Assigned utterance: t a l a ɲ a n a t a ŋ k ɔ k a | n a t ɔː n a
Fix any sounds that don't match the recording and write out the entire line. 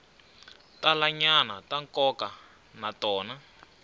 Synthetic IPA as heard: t a l a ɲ a n a t a ŋ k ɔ k a | n a t ɔː n a